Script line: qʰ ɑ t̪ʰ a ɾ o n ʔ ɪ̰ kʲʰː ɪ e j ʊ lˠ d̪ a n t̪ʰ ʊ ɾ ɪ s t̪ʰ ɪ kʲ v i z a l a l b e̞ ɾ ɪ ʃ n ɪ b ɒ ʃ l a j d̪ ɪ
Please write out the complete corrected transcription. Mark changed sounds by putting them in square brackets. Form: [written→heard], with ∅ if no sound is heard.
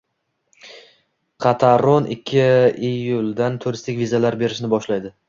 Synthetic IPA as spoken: qʰ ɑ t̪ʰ a ɾ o n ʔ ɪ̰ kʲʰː ɪ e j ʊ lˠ d̪ a n t̪ʰ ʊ ɾ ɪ s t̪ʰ ɪ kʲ v i z a l a [l→ɾ] b e̞ ɾ ɪ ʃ n ɪ b ɒ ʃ l a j d̪ ɪ

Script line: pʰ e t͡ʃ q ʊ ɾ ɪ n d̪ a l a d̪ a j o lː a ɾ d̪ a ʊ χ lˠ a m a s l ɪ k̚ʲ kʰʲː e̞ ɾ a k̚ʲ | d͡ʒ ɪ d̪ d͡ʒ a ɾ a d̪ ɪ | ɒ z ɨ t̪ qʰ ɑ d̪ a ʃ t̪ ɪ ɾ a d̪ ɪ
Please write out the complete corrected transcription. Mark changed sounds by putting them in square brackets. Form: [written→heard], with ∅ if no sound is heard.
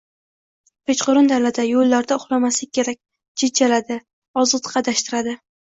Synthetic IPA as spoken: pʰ e t͡ʃ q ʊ ɾ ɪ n d̪ a l a d̪ a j o lː a ɾ d̪ a ʊ χ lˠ a m a s l ɪ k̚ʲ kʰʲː e̞ ɾ a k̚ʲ | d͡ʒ ɪ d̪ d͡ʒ a [ɾ→l] a d̪ ɪ | ɒ z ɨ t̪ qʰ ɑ d̪ a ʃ t̪ ɪ ɾ a d̪ ɪ

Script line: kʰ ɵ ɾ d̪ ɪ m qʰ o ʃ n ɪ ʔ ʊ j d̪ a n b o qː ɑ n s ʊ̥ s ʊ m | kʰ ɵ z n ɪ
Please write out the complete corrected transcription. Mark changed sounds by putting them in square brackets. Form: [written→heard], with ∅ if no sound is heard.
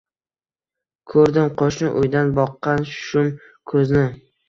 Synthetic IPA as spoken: kʰ ɵ ɾ d̪ ɪ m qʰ o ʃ n ɪ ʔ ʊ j d̪ a n b [o→ɒ] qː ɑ n [s→ʃ] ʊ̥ [s→ʃ] ʊ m | kʰ ɵ z n ɪ

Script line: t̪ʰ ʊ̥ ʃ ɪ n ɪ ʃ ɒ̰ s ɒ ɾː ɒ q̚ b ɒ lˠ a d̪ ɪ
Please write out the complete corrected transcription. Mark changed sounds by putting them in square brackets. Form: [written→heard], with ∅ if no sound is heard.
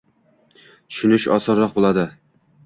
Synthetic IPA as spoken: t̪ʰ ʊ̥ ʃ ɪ n ɪ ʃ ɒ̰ s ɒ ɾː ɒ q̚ b [ɒ→o] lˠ a d̪ ɪ

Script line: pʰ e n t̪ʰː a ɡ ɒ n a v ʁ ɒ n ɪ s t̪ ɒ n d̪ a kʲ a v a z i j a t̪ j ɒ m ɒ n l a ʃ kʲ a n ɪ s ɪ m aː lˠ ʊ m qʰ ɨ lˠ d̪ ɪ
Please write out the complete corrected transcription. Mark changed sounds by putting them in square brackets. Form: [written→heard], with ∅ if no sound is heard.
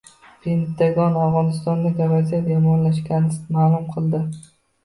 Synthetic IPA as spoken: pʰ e n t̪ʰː a ɡ ɒ n a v ʁ ɒ n ɪ s t̪ ɒ n d̪ a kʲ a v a z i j a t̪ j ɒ m ɒ n l a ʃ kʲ a n ɪ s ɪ m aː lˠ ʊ m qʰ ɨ lˠ d̪ ɪ

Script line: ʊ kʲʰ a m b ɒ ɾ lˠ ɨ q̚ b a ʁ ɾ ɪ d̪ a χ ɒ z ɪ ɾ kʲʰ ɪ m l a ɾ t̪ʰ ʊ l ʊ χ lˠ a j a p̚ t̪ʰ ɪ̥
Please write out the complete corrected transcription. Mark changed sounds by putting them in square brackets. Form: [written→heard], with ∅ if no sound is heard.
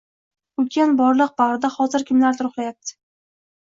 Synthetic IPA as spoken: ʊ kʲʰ a [m→n] b ɒ ɾ lˠ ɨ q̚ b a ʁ ɾ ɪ d̪ a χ ɒ z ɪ ɾ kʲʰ ɪ m l a ɾ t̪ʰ ʊ [l→ɾ] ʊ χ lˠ a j a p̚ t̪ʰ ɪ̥

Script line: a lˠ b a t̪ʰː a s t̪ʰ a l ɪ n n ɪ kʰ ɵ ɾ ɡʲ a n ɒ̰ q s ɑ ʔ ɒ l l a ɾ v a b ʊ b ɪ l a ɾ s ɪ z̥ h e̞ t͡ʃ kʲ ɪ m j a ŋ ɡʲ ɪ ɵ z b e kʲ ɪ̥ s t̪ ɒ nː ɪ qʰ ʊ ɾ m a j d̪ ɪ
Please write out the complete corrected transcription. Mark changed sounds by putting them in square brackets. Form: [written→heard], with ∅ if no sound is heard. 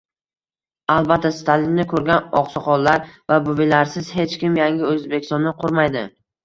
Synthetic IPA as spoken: a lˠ b a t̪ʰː a s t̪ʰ a l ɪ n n ɪ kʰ ɵ ɾ ɡʲ a n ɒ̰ q s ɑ [ʔ→q] ɒ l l a ɾ v a b ʊ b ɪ l a ɾ s ɪ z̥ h e̞ t͡ʃ kʲ ɪ m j a ŋ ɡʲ ɪ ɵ z b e kʲ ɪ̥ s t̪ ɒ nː ɪ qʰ ʊ ɾ m a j d̪ ɪ

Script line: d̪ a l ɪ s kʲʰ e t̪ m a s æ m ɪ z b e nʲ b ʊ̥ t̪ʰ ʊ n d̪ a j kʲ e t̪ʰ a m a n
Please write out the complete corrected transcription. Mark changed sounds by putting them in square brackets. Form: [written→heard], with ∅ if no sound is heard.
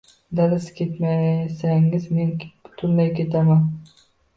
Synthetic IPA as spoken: d̪ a l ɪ s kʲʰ e t̪ m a s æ [m→ŋ] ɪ z [b→m] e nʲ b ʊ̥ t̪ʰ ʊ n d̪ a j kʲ e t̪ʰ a m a n

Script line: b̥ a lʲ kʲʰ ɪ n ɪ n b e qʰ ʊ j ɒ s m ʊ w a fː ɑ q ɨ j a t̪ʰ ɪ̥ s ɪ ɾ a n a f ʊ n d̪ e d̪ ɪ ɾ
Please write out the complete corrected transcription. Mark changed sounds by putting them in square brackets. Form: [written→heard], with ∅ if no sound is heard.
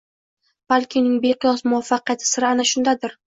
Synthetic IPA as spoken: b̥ a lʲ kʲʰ ɪ n ɪ [n→ŋ] b e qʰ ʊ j ɒ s m ʊ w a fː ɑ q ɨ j a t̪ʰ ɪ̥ s ɪ ɾ a n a [f→ʃ] ʊ n d̪ [e→a] d̪ ɪ ɾ

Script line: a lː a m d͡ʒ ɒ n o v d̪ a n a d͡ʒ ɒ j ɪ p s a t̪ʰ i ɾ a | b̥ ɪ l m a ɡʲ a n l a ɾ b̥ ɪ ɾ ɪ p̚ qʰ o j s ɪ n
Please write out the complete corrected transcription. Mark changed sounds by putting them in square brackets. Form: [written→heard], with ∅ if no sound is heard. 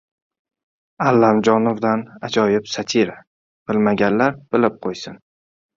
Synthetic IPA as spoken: a lː a m d͡ʒ ɒ n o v d̪ a n a d͡ʒ ɒ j ɪ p s a t̪ʰ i ɾ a | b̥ ɪ l m a ɡʲ a n l a ɾ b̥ ɪ [ɾ→l] ɪ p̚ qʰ o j s ɪ n

